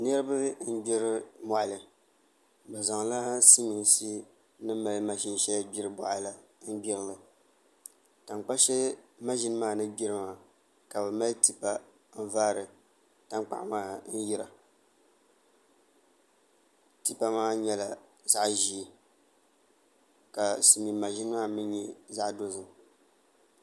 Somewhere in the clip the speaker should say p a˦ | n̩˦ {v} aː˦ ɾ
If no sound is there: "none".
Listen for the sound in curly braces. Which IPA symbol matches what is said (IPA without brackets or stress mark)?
v